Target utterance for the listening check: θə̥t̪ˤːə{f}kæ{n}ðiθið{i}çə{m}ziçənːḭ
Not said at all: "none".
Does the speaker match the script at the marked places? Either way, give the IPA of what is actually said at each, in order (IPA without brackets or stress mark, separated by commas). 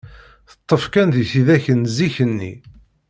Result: f, n, æ, n